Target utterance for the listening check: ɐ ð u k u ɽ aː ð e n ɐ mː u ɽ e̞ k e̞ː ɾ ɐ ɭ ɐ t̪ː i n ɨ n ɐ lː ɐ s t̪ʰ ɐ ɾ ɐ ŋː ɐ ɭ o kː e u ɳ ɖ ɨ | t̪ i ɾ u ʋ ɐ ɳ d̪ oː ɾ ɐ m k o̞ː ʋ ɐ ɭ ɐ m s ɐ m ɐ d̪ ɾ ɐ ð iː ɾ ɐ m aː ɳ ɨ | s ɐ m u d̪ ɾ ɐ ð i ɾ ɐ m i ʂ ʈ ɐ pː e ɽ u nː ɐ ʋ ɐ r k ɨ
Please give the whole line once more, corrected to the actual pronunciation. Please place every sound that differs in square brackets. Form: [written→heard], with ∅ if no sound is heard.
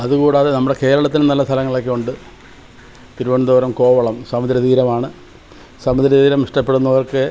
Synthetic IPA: ɐ ð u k [u→uː] ɽ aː ð e n ɐ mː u ɽ e̞ k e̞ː ɾ ɐ ɭ ɐ t̪ː i n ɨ n ɐ lː ɐ s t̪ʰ ɐ [ɾ→l] ɐ ŋː ɐ ɭ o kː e u ɳ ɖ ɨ | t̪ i ɾ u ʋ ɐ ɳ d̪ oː ɾ ɐ m k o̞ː ʋ ɐ ɭ ɐ m s ɐ m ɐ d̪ ɾ ɐ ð iː ɾ ɐ m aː ɳ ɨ | s ɐ m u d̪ ɾ ɐ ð [i→iː] ɾ ɐ m i ʂ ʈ ɐ pː e ɽ u nː ɐ ʋ ɐ r k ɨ